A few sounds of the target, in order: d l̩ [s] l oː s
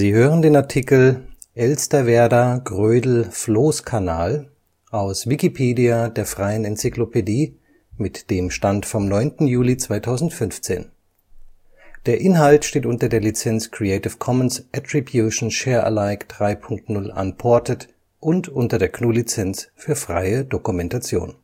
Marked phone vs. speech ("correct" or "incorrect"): incorrect